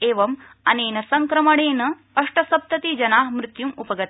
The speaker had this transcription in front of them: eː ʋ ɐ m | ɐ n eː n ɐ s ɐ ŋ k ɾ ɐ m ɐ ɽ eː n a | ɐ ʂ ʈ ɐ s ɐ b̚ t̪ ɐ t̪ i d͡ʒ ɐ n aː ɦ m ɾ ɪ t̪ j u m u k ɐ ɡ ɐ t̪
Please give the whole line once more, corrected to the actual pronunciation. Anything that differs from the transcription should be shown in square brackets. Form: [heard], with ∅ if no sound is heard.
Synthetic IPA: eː ʋ ɐ m | ɐ n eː n ɐ s ɐ ŋ k ɾ ɐ m ɐ ɽ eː n [ɐ] | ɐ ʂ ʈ ɐ s ɐ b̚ t̪ ɐ t̪ i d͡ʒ ɐ n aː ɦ m ɾ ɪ t̪ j u m u [p] ɐ ɡ ɐ t̪

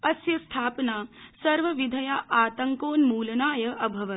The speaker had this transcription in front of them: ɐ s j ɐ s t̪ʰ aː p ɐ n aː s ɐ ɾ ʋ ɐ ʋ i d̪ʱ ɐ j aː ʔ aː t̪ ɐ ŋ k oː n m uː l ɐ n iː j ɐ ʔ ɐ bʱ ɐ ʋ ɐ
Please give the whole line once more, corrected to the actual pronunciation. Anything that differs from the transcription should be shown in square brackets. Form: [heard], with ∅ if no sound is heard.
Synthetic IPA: ɐ s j ɐ s t̪ʰ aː p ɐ n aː s ɐ ɾ ʋ ɐ ʋ i d̪ʱ ɐ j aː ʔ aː t̪ ɐ ŋ k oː n m uː l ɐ n [aː] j ɐ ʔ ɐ bʱ ɐ ʋ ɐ

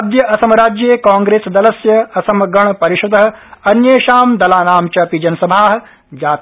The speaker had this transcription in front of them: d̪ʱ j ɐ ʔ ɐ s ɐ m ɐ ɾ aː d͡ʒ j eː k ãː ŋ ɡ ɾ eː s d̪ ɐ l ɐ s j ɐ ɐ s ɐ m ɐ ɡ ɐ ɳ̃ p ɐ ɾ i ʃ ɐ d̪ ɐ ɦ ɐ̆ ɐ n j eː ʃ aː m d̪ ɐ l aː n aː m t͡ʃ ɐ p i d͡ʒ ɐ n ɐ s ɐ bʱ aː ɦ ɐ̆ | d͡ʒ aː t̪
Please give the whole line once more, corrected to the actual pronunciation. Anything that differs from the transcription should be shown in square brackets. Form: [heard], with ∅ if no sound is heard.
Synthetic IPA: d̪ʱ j ɐ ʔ ɐ s ɐ m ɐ ɾ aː d͡ʒ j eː k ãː ŋ ɡ ɾ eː s d̪ ɐ l ɐ s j ɐ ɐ s ɐ m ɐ ɡ ɐ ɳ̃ p ɐ ɾ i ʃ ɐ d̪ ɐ ɦ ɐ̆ ɐ n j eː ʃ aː m d̪ ɐ l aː n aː m t͡ʃ ɐ p i d͡ʒ ɐ n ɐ s ɐ bʱ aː ɦ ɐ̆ | d͡ʒ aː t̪

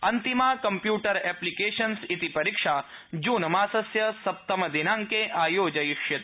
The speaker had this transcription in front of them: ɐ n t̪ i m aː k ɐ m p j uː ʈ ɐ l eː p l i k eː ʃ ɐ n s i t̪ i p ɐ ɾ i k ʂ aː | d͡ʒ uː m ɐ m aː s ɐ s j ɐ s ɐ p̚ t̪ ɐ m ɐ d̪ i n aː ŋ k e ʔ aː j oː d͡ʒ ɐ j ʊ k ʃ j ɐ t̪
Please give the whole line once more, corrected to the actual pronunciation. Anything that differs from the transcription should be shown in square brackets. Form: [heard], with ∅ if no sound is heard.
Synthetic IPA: ɐ n t̪ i m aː k ɐ m p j uː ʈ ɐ [ɾ] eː p l i k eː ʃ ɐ n s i t̪ i p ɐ ɾ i k ʂ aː | d͡ʒ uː [n] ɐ m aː s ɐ s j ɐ s ɐ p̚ t̪ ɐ m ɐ d̪ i n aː ŋ k e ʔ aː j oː d͡ʒ ɐ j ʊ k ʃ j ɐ t̪

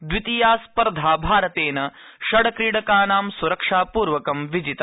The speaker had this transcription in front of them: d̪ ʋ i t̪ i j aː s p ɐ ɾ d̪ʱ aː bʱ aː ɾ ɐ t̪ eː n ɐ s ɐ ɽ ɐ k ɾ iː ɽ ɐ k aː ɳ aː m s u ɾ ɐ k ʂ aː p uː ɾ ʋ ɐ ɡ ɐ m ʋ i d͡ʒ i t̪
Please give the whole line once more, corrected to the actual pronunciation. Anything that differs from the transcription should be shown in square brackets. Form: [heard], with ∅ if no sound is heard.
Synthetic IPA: d̪ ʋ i t̪ i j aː s p ɐ ɾ d̪ʱ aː bʱ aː ɾ ɐ t̪ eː n ɐ [ʃ] ɐ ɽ ɐ k ɾ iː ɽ ɐ k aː [n] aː m s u ɾ ɐ k ʂ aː p uː ɾ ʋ ɐ [k] ɐ m ʋ i d͡ʒ i t̪

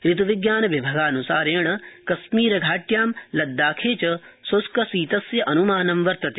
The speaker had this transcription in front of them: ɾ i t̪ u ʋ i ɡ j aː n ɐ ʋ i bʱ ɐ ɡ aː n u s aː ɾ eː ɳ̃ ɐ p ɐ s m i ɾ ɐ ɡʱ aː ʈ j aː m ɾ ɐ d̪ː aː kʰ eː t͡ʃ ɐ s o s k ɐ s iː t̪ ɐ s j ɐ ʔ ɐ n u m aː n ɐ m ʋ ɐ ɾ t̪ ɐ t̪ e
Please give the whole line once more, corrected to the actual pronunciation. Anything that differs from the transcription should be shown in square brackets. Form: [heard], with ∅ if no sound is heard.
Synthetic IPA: ɾ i t̪ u ʋ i ɡ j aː n ɐ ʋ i bʱ ɐ ɡ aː n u s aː ɾ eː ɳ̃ ɐ [k] ɐ s m [iː] ɾ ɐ ɡʱ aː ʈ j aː m [l] ɐ d̪ː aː kʰ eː t͡ʃ ɐ s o s k ɐ s iː t̪ ɐ s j ɐ ʔ ɐ n u m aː n ɐ m ʋ ɐ ɾ t̪ ɐ t̪ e

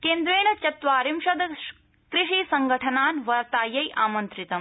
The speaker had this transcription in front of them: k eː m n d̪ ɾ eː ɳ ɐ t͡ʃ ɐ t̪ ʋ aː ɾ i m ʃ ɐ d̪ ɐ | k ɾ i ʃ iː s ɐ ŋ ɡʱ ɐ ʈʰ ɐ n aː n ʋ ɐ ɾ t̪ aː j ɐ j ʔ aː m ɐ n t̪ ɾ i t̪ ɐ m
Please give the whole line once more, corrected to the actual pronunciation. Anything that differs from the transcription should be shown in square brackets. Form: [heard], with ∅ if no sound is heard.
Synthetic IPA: k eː [∅] n d̪ ɾ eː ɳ ɐ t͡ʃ ɐ t̪ ʋ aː ɾ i m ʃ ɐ d̪ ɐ | k ɾ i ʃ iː s ɐ ŋ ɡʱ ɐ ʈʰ ɐ n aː n ʋ ɐ ɾ t̪ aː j ɐ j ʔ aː m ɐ n t̪ ɾ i t̪ ɐ m

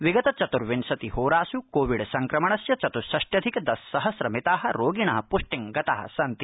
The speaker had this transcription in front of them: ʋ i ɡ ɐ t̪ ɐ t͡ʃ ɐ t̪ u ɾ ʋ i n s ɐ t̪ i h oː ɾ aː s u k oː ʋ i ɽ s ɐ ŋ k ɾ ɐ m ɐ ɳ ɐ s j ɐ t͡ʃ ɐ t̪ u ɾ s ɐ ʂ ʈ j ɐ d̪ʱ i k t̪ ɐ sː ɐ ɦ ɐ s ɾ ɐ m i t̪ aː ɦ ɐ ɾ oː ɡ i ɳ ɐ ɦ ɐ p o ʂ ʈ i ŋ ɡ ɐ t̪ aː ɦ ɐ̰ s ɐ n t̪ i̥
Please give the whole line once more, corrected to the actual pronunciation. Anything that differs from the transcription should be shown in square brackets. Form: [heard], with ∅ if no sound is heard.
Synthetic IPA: ʋ i ɡ ɐ t̪ ɐ t͡ʃ ɐ t̪ u ɾ ʋ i n s ɐ t̪ i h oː ɾ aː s u k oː ʋ i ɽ s ɐ ŋ k ɾ ɐ m ɐ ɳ ɐ s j ɐ t͡ʃ ɐ t̪ u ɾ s ɐ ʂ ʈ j ɐ d̪ʱ i k [d̪] ɐ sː ɐ ɦ ɐ s ɾ ɐ m i t̪ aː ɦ ɐ ɾ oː ɡ i ɳ ɐ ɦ ɐ p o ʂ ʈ i ŋ ɡ ɐ t̪ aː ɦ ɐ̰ s ɐ n t̪ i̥

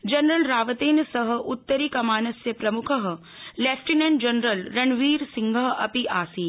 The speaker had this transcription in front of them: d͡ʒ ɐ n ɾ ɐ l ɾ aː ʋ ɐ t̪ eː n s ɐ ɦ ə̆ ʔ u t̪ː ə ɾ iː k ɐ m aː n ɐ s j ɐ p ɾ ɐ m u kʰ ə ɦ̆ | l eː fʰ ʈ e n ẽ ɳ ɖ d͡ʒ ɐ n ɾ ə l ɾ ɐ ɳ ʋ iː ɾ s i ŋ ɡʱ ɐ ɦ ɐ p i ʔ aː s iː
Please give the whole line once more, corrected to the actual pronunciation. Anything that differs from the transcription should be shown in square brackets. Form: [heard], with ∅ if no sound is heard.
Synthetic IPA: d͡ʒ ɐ n ɾ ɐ l ɾ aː ʋ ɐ t̪ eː n s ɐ ɦ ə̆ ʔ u t̪ː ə ɾ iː k ɐ m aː n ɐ s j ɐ p ɾ ɐ m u kʰ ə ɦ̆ | l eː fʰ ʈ [i] n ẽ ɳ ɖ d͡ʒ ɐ n ɾ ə l ɾ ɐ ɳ ʋ iː ɾ s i ŋ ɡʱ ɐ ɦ ɐ p i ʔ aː s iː

